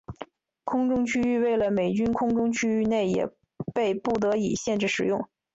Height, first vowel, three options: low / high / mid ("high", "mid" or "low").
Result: high